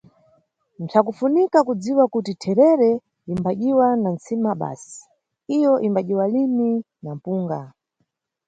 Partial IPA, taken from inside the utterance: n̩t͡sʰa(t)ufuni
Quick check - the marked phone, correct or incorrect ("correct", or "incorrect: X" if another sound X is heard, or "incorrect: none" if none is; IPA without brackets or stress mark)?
incorrect: k